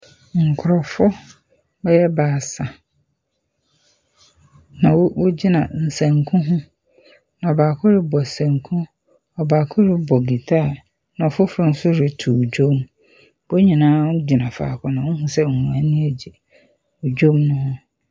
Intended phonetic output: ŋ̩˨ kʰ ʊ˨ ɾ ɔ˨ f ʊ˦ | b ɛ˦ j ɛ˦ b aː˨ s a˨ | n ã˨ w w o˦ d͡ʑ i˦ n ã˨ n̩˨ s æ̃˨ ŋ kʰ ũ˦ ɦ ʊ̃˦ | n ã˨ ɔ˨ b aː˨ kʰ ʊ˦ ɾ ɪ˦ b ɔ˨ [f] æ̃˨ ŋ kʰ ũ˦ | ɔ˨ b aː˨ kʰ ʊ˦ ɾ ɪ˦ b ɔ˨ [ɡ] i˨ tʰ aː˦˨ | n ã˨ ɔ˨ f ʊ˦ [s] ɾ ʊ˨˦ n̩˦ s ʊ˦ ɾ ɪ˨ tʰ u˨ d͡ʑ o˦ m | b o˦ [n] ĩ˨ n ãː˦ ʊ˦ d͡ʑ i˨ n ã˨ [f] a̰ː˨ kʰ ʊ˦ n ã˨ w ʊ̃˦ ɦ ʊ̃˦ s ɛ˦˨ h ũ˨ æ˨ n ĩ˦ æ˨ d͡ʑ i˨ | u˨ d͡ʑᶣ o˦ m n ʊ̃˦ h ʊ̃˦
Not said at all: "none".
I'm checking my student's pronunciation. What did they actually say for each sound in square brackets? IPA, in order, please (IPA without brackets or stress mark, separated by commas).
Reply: s, ɡ, f, ɲ, f